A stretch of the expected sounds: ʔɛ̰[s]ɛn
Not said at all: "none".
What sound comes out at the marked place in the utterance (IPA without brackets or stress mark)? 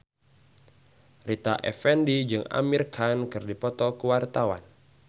f